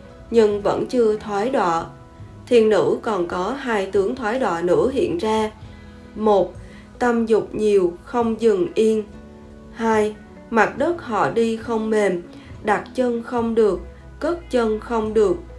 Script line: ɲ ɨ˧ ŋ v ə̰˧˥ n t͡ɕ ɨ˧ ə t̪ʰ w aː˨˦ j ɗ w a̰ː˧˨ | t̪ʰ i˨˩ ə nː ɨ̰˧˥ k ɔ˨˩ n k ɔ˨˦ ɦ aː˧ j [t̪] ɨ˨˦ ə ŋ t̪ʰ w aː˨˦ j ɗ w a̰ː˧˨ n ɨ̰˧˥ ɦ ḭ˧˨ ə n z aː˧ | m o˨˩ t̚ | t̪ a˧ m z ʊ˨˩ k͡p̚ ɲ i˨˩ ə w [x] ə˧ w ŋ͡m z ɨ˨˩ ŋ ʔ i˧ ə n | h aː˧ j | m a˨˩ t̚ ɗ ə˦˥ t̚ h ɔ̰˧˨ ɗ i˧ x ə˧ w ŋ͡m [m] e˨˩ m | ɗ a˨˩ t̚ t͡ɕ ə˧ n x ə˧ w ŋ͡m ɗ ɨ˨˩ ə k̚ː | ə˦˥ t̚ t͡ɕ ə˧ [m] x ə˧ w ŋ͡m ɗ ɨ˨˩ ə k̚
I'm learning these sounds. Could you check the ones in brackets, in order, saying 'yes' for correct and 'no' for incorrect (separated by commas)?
yes, yes, yes, no